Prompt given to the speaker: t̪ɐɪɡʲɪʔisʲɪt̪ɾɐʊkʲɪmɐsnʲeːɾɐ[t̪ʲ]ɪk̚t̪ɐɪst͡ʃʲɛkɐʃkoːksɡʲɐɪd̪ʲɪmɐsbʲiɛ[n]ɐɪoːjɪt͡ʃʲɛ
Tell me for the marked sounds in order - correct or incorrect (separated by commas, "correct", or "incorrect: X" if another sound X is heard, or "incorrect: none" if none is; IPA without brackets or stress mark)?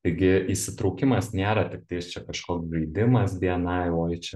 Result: correct, correct